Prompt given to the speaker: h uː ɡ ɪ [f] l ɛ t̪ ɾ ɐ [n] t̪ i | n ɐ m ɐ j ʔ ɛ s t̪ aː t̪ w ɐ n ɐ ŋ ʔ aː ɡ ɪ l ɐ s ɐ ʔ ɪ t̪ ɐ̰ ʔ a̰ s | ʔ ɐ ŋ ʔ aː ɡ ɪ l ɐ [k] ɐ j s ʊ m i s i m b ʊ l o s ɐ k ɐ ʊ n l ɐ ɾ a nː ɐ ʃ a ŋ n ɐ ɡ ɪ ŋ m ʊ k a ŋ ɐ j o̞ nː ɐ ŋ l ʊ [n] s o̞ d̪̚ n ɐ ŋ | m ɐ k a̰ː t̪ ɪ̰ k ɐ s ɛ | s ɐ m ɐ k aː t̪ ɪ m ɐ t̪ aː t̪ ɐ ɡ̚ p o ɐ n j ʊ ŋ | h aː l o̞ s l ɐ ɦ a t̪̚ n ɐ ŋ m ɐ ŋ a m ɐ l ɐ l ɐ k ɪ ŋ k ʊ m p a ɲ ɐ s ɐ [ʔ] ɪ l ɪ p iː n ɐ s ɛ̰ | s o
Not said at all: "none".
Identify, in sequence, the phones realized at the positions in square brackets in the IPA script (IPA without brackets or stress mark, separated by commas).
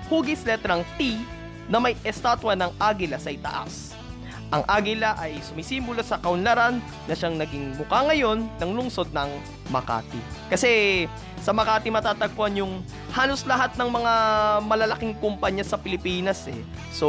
s, ŋ, ʔ, ŋ, p